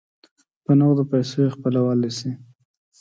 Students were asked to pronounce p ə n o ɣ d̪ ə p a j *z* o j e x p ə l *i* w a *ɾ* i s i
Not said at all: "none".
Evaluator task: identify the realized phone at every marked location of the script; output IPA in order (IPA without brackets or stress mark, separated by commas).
s, a, l